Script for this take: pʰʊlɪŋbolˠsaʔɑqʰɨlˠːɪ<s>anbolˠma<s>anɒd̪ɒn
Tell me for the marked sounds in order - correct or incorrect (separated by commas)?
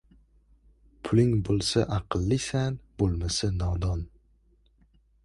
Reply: correct, correct